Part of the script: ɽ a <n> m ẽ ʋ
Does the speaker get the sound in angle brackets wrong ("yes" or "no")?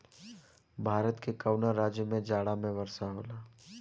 yes